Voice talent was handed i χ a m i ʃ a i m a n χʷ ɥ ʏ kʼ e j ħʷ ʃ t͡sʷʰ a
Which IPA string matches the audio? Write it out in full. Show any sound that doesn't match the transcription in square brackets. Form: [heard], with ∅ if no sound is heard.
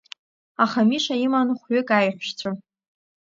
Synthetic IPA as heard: [a] χ a m i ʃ a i m a n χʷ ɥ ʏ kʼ [a] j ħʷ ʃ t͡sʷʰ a